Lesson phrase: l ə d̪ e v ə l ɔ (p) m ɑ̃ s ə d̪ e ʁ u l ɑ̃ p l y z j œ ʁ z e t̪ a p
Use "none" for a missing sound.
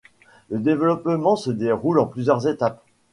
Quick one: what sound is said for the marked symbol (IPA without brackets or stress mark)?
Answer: p